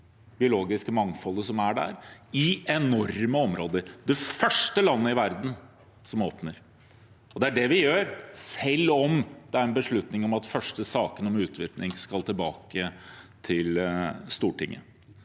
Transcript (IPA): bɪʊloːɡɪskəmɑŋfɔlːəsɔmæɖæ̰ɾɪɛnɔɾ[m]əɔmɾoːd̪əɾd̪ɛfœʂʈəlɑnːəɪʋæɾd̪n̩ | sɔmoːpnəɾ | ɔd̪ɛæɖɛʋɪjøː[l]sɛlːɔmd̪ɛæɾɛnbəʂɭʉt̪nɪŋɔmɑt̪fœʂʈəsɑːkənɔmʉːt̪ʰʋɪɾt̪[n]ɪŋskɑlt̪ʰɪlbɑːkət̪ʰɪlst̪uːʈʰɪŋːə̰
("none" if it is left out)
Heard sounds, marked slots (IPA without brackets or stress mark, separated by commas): m, ɾ, n